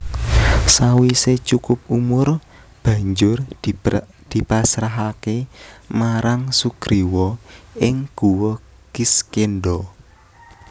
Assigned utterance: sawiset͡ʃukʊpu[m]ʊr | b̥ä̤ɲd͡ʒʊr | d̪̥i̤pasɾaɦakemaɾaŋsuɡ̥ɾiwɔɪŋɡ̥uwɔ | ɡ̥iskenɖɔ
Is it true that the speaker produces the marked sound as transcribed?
yes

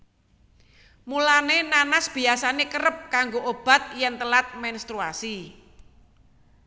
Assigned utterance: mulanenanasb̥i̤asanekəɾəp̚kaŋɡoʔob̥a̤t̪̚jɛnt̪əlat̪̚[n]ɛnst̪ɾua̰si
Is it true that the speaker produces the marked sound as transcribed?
no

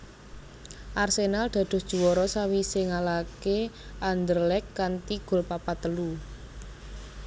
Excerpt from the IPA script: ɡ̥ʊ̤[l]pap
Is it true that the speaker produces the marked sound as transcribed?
yes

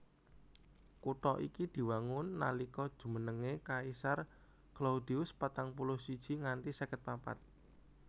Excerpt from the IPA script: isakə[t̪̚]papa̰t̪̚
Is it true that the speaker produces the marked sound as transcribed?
yes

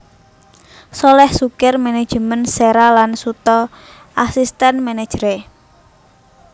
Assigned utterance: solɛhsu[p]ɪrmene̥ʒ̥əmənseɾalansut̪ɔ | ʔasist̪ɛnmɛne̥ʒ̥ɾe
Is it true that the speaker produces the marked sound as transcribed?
no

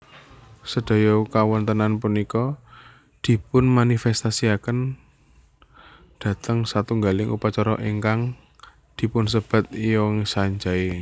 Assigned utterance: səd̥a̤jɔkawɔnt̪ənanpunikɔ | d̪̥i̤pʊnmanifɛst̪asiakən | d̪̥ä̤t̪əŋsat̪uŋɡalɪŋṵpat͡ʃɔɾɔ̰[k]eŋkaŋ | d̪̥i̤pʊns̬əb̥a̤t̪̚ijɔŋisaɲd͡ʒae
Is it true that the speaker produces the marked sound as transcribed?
no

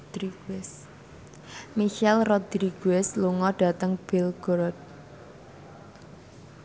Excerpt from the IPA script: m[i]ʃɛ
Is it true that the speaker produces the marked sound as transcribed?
yes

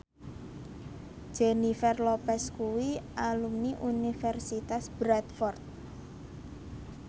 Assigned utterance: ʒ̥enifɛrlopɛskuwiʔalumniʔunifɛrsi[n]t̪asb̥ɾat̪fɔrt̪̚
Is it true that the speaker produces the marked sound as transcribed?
no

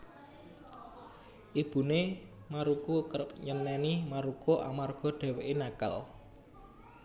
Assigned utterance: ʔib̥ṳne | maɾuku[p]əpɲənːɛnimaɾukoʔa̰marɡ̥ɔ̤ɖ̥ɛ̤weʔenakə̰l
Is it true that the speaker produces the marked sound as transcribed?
no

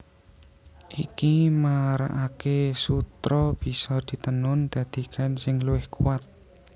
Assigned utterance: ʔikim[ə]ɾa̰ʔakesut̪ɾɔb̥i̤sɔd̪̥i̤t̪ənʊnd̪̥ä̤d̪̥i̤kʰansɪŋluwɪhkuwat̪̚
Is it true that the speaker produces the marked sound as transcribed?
no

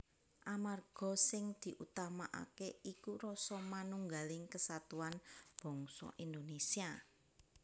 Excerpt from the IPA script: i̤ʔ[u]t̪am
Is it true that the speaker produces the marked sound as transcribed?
yes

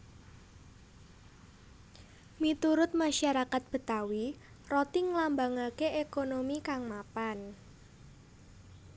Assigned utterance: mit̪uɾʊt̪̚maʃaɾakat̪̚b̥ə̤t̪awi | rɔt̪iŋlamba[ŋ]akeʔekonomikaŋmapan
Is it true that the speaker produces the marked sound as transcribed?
yes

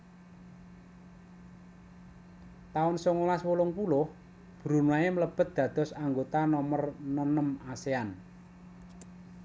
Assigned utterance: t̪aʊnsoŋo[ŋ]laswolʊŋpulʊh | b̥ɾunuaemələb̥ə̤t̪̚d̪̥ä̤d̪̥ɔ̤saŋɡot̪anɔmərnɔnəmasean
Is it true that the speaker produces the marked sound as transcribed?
no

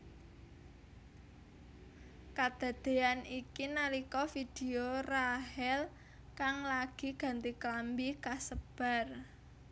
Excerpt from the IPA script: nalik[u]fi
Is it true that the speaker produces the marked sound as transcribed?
no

